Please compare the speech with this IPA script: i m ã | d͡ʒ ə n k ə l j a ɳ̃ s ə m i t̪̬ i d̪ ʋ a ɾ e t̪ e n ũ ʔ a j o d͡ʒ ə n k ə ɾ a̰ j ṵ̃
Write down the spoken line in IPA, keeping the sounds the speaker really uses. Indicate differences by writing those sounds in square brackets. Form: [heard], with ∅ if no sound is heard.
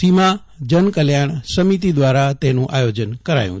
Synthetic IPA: i m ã | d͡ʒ ə n k ə l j a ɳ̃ s ə m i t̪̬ i d̪ ʋ a ɾ [a] t̪ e n ũ ʔ a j o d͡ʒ ə n k ə ɾ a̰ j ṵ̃